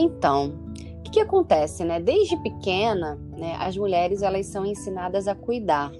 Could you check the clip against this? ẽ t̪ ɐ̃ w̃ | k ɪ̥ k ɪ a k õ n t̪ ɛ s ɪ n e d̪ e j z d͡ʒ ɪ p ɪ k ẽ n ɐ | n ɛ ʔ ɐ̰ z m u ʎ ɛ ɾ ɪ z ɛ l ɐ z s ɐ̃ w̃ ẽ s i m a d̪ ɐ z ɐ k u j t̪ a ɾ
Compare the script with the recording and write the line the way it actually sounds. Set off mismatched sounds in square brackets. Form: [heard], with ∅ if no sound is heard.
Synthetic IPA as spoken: ẽ t̪ ɐ̃ w̃ | k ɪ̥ k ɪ a k õ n t̪ ɛ s ɪ n [ɛ] d̪ e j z d͡ʒ ɪ p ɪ k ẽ n ɐ | n ɛ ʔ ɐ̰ z m u ʎ ɛ ɾ ɪ z ɛ l ɐ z s ɐ̃ w̃ ẽ s i [n] a d̪ ɐ z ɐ k u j [d̪] a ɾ